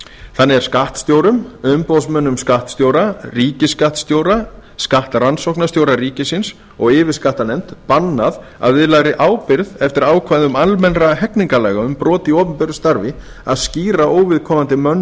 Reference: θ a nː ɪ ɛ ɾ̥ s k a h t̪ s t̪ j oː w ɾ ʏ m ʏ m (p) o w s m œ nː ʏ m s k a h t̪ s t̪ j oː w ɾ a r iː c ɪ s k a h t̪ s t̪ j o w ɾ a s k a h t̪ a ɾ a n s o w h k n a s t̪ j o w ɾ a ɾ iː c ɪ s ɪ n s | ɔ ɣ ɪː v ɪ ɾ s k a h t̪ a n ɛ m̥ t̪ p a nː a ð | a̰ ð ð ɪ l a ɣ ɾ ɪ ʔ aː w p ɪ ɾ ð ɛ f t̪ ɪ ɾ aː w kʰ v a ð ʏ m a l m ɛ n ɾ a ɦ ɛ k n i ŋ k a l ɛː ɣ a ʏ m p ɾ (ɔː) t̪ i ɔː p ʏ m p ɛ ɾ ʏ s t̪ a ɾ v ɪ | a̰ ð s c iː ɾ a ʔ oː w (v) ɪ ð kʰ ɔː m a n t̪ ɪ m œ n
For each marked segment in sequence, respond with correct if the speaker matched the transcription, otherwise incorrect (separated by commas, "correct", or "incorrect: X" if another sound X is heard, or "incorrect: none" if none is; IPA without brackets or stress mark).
correct, correct, correct